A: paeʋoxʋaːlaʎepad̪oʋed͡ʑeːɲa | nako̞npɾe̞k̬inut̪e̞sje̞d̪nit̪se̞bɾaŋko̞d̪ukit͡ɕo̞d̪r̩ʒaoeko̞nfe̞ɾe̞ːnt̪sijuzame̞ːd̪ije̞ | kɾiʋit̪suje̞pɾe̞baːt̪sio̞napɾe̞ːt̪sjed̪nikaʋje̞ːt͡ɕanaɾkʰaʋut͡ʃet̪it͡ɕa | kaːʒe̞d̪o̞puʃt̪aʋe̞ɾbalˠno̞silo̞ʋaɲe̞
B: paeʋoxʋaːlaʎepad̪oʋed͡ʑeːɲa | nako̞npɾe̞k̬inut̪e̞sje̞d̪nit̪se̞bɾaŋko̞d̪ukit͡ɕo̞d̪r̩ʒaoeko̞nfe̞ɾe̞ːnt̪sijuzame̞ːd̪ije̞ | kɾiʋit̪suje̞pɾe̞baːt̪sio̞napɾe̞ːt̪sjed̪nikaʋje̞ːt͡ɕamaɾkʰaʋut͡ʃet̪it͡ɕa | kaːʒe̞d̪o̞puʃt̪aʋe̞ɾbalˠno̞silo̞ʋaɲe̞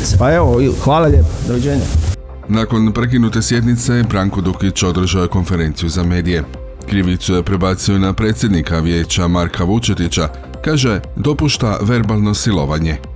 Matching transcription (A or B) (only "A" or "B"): B